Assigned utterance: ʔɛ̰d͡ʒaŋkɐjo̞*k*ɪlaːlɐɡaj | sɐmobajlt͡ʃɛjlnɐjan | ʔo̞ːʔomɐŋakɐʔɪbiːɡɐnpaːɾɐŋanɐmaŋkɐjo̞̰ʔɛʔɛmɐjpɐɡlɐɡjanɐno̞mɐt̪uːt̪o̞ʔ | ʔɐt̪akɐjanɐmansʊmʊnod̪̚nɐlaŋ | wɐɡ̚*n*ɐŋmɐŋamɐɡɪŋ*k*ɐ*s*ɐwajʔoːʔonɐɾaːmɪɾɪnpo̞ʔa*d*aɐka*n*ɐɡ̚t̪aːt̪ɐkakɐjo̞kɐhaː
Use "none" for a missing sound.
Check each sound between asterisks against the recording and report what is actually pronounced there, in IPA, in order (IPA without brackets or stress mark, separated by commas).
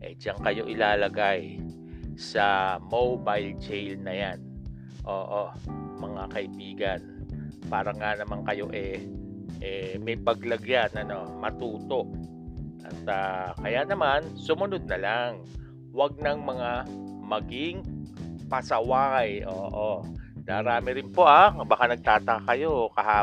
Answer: ʔ, n, p, s, b, n